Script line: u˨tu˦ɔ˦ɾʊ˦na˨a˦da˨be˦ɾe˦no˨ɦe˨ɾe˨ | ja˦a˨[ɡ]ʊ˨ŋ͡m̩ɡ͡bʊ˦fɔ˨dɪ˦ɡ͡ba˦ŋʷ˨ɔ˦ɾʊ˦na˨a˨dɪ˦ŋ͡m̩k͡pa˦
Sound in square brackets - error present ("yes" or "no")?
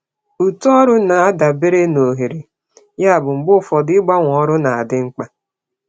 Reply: yes